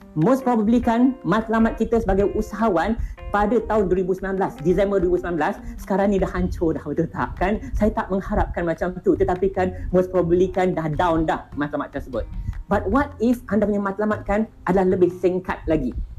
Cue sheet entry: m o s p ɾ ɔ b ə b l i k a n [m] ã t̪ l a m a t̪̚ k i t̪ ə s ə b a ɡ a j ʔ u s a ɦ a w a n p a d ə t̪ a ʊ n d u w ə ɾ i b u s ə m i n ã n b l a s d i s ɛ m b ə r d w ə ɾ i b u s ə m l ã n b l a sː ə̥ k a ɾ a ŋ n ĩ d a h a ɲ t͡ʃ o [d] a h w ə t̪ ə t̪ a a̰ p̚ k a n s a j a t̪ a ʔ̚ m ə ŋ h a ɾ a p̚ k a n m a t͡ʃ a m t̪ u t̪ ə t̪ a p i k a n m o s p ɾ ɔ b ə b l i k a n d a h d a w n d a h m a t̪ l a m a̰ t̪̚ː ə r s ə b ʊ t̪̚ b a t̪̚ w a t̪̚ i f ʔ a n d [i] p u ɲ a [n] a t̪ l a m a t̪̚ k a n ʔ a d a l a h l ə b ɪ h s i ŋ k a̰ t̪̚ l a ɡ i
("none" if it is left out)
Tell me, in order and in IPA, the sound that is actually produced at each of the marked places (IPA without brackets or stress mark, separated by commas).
m, d, a, m